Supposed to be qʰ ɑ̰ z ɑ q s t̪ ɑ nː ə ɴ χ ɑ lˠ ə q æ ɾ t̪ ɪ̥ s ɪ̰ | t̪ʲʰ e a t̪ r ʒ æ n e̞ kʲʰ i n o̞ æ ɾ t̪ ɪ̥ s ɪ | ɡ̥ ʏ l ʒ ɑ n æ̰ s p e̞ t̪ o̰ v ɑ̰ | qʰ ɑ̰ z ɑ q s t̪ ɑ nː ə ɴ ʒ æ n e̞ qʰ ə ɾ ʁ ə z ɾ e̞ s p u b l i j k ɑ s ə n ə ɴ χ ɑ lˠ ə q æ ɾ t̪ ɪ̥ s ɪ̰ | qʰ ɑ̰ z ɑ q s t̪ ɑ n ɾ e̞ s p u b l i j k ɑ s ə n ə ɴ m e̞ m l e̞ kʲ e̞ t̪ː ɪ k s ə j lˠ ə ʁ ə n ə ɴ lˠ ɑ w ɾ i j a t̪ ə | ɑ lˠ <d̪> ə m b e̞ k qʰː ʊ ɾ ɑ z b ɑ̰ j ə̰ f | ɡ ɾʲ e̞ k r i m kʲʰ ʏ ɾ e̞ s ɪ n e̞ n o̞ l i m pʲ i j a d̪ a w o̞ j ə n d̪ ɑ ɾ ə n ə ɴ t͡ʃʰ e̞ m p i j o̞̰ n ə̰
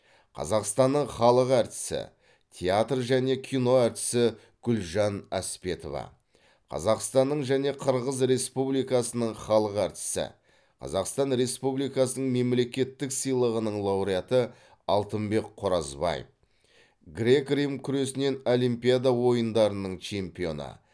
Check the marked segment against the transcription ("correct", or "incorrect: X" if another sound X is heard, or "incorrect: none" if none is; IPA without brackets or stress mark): incorrect: t̪